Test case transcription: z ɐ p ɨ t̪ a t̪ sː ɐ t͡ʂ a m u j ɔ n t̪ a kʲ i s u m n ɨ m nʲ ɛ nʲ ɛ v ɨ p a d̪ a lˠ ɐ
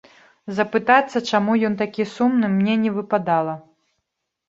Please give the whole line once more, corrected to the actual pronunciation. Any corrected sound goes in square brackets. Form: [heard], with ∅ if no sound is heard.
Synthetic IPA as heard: z ɐ p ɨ t̪ a t̪ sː ɐ t͡ʂ a m u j ɔ n t̪ a kʲ i s u m n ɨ m nʲ ɛ nʲ ɛ v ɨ p a d̪ a lˠ ɐ